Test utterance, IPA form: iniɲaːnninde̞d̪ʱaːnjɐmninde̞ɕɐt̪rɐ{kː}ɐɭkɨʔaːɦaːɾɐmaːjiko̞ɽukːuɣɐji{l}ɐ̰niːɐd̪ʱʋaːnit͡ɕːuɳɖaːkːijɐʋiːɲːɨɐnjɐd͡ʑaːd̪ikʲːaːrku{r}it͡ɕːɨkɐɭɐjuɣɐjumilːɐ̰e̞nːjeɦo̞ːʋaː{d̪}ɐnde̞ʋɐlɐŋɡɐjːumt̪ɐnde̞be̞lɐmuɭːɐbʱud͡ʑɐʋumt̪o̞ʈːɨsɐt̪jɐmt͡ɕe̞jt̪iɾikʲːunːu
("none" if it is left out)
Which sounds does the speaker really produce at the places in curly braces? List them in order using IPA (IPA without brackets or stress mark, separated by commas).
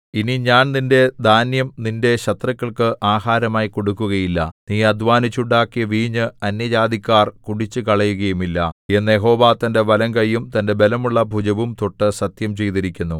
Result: kː, lː, ɽ, t̪